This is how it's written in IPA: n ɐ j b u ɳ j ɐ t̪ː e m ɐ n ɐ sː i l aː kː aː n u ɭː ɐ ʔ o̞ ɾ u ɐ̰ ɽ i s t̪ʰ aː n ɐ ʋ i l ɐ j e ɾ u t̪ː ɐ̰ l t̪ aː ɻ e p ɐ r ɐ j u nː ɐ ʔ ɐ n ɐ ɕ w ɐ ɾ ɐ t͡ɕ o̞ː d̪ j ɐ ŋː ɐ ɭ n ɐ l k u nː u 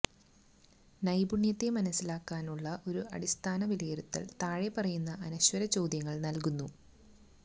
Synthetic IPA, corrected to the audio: n ɐ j b u ɳ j ɐ t̪ː e m ɐ n ɐ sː i l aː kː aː n u ɭː ɐ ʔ o̞ ɾ u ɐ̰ ɽ i s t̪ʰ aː n ɐ ʋ i l ɐ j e ɾ u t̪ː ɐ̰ l t̪ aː ɻ e p ɐ r ɐ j u nː ɐ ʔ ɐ n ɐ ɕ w ɐ ɾ ɐ t͡ɕ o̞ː d̪ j ɐ ŋː ɐ ɭ n ɐ l k u nː u

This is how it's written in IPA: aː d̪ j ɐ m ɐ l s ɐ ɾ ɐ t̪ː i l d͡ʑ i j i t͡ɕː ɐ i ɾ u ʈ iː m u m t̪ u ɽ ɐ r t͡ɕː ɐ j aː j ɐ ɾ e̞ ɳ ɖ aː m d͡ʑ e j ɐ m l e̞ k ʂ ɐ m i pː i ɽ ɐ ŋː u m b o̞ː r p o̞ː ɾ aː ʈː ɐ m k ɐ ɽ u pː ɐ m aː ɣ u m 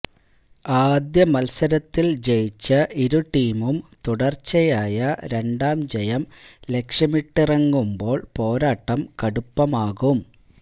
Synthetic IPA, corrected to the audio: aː d̪ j ɐ m ɐ l s ɐ ɾ ɐ t̪ː i l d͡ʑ e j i t͡ɕː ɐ i ɾ u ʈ iː m u m t̪ u ɽ ɐ r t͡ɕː ɐ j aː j ɐ ɾ e̞ ɳ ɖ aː m d͡ʑ e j ɐ m l e̞ k ʂ ɐ m i ʈː i r ɐ ŋː u m b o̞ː ɭ p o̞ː ɾ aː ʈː ɐ m k ɐ ɽ u pː ɐ m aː ɣ u m

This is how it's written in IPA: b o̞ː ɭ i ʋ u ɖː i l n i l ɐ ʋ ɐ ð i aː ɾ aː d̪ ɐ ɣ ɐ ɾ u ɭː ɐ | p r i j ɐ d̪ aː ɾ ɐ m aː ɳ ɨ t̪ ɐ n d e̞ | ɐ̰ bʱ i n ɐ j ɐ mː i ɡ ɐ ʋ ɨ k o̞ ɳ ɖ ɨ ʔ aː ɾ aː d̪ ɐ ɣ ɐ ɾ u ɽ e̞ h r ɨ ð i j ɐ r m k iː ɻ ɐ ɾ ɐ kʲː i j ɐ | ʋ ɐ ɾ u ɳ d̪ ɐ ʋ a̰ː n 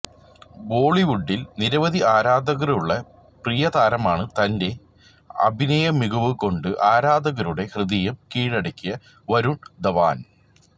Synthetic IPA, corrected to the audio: b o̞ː ɭ i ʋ u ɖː i l n i ɾ ɐ ʋ ɐ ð i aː ɾ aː d̪ ɐ ɣ ɐ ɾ u ɭː ɐ | p r i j ɐ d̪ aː ɾ ɐ m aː ɳ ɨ t̪ ɐ n d e̞ | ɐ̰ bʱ i n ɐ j ɐ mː i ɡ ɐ ʋ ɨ k o̞ ɳ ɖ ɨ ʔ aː ɾ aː d̪ ɐ ɣ ɐ ɾ u ɽ e̞ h r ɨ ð i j ɐ m k iː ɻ ɐ ɽ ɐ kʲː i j ɐ | ʋ ɐ ɾ u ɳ d̪ ɐ ʋ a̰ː n

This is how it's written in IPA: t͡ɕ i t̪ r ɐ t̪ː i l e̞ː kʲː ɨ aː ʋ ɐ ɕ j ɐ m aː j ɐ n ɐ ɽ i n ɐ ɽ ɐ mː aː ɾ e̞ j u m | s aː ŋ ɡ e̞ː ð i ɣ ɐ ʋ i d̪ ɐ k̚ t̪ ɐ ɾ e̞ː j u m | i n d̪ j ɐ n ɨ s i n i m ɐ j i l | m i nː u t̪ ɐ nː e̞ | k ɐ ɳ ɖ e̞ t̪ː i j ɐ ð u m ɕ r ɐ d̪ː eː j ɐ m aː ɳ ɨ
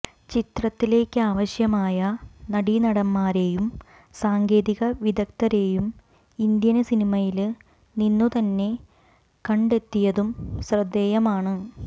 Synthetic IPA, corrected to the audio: t͡ɕ i t̪ r ɐ t̪ː i l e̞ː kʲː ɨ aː ʋ ɐ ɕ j ɐ m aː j ɐ n ɐ ɽ i n ɐ ɽ ɐ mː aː ɾ e̞ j u m | s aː ŋ ɡ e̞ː ð i ɣ ɐ ʋ i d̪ ɐ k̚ t̪ ɐ ɾ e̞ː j u m | i n d̪ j ɐ n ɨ s i n i m ɐ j i l | n i nː u t̪ ɐ nː e̞ | k ɐ ɳ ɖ e̞ t̪ː i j ɐ ð u m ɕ r ɐ d̪ː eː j ɐ m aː ɳ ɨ

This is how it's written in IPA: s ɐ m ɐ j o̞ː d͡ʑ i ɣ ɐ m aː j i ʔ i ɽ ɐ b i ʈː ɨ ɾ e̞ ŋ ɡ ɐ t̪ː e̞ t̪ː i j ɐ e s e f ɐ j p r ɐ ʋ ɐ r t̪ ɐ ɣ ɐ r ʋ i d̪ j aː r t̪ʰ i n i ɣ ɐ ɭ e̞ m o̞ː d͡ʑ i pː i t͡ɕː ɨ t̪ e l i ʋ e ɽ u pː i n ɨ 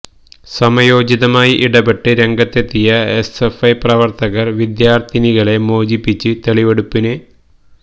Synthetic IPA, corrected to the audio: s ɐ m ɐ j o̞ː d͡ʑ i ð ɐ m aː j i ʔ i ɽ ɐ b e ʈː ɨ ɾ e̞ ŋ ɡ ɐ t̪ː e̞ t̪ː i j ɐ e s e f ɐ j p r ɐ ʋ ɐ r t̪ ɐ ɣ ɐ r ʋ i d̪ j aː r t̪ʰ i n i ɣ ɐ ɭ e̞ m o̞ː d͡ʑ i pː i t͡ɕː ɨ t̪ e ɭ i ʋ e ɽ u pː i n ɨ

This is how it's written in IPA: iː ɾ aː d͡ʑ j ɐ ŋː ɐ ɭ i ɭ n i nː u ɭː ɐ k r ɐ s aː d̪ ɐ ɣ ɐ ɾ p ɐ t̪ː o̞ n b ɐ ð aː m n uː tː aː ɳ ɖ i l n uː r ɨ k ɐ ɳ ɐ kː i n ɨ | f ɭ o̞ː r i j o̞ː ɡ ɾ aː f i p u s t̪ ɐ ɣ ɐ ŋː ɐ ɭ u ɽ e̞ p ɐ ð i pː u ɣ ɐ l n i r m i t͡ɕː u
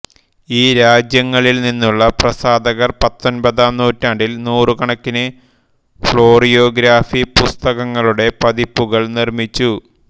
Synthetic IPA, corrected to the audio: iː ɾ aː d͡ʑ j ɐ ŋː ɐ ɭ i l n i nː u ɭː ɐ p r ɐ s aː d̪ ɐ ɣ ɐ r p ɐ t̪ː o̞ n b ɐ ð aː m n uː tː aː ɳ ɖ i l n uː r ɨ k ɐ ɳ ɐ kː i n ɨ | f ɭ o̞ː r i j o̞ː ɡ ɾ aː f i p u s t̪ ɐ ɣ ɐ ŋː ɐ ɭ u ɽ e̞ p ɐ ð i pː u ɣ ɐ ɭ n i r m i t͡ɕː u

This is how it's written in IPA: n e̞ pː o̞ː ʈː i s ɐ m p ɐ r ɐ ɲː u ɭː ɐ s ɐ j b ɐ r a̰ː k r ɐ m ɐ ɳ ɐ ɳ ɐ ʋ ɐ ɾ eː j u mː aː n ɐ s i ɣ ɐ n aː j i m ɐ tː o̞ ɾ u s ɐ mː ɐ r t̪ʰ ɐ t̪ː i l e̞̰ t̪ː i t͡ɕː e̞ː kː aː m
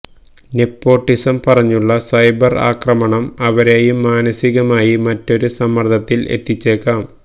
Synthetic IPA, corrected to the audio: n e̞ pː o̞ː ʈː i s ɐ m p ɐ r ɐ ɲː u ɭː ɐ s ɐ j b ɐ r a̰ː k r ɐ m ɐ ɳ ɐ m ɐ ʋ ɐ ɾ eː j u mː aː n ɐ s i ɣ ɐ m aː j i m ɐ tː o̞ ɾ u s ɐ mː ɐ r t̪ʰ ɐ t̪ː i l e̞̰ t̪ː i t͡ɕː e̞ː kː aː m

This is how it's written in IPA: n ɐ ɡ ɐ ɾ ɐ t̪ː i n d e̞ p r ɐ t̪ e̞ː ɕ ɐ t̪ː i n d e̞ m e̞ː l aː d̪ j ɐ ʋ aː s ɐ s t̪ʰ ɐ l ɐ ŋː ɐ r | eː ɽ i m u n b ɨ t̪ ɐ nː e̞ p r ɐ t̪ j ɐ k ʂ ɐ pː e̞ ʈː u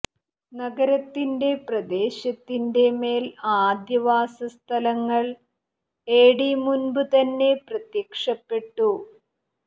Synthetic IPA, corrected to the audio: n ɐ ɡ ɐ ɾ ɐ t̪ː i n d e̞ p r ɐ d̪ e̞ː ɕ ɐ t̪ː i n d e̞ m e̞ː l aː d̪ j ɐ ʋ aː s ɐ s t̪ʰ ɐ l ɐ ŋː ɐ ɭ | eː ɽ i m u n b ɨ t̪ ɐ nː e̞ p r ɐ t̪ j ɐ k ʂ ɐ pː e̞ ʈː u

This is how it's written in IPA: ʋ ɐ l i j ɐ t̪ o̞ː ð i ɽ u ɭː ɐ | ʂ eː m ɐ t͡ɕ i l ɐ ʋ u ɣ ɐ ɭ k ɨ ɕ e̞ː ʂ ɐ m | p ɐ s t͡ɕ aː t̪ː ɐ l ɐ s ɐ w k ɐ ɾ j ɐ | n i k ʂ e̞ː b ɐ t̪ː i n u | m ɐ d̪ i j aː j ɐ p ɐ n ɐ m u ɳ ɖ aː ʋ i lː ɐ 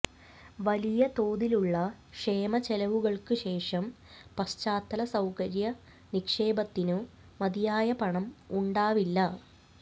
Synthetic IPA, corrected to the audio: ʋ ɐ l i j ɐ t̪ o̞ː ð i l u ɭː ɐ | ʂ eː m ɐ t͡ɕ e l ɐ ʋ u ɣ ɐ ɭ k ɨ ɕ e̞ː ʂ ɐ m | p ɐ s t͡ɕ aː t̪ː ɐ l ɐ s ɐ w k ɐ ɾ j ɐ | n i k ʂ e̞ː b ɐ t̪ː i n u | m ɐ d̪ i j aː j ɐ p ɐ ɳ ɐ m u ɳ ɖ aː ʋ i lː ɐ

